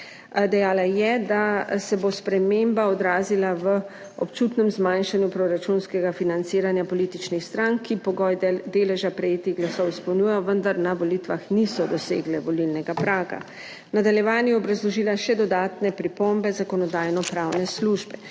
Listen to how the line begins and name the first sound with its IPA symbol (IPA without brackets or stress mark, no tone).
d̪